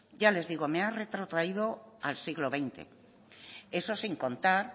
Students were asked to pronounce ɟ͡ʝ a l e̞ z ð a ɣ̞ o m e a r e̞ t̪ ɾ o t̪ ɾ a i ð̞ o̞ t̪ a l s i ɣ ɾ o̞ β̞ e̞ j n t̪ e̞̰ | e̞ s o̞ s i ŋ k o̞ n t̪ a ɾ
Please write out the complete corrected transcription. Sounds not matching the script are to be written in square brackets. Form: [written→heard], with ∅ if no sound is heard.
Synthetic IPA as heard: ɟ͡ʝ a l e̞ z ð [a→i] ɣ̞ o m e a r e̞ t̪ ɾ o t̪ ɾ a i ð̞ o̞ [t̪→∅] a l s i ɣ [ɾ→l] o̞ β̞ e̞ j n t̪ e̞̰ | e̞ s o̞ s i ŋ k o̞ n t̪ a ɾ